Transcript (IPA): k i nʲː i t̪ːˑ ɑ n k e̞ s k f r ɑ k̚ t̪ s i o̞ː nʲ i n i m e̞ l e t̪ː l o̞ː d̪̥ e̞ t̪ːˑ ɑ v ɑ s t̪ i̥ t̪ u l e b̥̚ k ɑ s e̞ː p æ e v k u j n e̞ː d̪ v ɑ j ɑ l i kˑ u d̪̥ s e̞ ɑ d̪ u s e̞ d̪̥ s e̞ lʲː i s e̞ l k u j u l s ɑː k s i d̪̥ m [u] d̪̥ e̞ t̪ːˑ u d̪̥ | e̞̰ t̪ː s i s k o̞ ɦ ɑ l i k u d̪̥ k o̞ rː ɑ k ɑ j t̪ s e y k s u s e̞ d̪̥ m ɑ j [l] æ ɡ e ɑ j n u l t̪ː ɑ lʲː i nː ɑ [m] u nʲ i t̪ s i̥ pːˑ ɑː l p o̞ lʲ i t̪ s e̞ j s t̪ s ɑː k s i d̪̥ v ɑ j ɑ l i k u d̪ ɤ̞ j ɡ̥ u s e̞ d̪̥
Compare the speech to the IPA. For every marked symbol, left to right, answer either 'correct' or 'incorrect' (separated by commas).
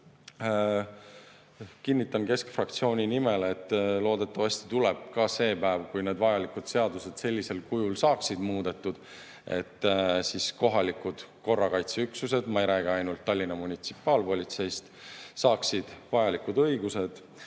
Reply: incorrect, incorrect, correct